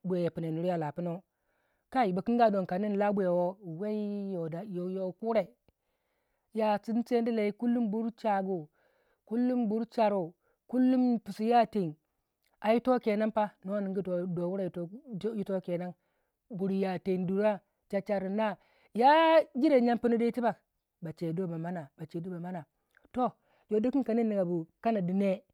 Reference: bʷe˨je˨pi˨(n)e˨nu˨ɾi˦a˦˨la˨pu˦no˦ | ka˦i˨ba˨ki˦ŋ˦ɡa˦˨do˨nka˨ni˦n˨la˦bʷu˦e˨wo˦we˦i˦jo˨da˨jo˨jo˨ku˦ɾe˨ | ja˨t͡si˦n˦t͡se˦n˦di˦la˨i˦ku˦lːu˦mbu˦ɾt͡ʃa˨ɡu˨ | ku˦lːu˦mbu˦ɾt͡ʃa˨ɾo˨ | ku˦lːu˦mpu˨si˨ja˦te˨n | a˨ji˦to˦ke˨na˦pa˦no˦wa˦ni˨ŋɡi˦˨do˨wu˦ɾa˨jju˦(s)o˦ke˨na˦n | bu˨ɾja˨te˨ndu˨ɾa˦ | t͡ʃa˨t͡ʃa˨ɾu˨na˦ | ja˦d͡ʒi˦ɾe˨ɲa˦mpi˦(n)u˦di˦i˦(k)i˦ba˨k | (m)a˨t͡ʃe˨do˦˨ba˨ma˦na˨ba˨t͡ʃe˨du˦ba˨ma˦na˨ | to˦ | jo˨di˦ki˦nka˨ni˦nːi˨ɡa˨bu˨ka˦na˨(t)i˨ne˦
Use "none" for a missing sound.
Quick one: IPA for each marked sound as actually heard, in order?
n, t, n, t, b, d

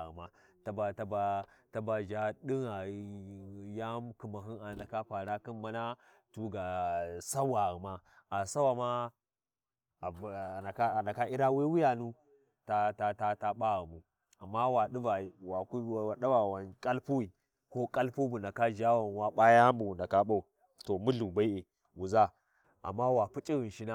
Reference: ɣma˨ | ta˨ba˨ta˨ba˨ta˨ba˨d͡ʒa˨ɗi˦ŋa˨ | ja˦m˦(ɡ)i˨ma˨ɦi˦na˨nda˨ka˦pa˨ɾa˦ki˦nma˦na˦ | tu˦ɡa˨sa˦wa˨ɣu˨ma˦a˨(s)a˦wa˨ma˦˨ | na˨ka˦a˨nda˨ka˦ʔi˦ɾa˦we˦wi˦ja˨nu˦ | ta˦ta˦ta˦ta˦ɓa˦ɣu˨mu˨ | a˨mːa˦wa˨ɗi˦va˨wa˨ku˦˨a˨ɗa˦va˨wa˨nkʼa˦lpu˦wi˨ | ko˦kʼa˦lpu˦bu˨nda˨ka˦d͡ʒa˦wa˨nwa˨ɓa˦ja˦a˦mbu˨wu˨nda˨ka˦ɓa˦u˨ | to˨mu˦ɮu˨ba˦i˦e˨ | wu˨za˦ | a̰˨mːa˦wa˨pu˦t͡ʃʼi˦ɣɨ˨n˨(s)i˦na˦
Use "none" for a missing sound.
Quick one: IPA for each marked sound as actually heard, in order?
k, s, ʃ

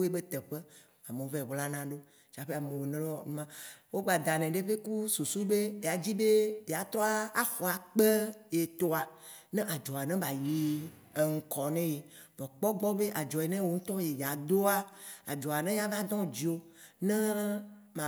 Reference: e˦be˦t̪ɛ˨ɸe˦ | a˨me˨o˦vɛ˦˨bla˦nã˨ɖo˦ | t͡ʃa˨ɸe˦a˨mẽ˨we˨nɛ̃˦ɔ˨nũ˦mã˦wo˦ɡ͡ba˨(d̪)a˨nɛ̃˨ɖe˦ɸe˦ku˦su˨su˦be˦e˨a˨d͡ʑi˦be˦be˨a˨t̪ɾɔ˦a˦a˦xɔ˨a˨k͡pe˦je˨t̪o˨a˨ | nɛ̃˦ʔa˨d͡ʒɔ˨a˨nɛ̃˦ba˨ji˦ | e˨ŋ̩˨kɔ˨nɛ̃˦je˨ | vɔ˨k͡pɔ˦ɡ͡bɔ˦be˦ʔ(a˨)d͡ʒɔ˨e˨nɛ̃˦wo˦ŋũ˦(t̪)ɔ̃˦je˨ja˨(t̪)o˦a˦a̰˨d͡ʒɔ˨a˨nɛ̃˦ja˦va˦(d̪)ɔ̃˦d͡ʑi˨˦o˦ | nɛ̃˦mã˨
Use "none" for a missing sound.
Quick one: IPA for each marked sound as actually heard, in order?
d̪, a˨, t̪, d̪, d̪

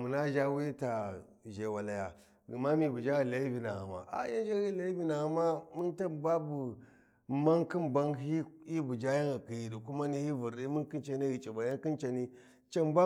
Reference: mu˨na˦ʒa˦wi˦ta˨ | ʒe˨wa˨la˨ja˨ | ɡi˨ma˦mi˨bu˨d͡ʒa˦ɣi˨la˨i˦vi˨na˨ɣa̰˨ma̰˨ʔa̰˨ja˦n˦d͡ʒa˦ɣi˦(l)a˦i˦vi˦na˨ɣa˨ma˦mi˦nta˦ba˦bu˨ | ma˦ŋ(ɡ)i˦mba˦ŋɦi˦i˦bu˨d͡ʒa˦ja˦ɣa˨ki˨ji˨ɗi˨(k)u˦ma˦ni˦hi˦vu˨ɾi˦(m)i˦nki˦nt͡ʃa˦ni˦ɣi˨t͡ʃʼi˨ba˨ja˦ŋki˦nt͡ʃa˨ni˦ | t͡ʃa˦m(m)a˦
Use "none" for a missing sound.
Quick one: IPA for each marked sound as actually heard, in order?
l, k, k, m, b

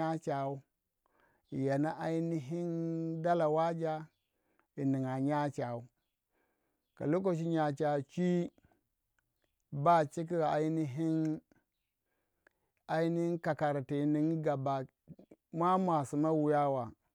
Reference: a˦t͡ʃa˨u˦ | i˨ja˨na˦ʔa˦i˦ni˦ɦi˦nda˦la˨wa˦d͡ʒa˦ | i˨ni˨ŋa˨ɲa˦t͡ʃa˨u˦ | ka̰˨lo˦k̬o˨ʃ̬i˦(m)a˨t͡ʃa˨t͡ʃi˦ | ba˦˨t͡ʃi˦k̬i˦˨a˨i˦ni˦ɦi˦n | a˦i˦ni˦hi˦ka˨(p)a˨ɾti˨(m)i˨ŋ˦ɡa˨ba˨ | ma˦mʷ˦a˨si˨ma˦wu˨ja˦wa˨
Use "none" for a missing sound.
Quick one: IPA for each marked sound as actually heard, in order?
ɲ, k, n

